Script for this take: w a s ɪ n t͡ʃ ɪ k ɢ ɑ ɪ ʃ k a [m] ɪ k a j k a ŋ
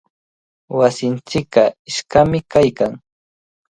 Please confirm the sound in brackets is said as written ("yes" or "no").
yes